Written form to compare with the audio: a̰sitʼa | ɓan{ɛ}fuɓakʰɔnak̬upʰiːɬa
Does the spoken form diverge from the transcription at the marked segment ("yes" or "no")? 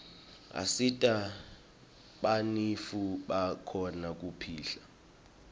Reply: yes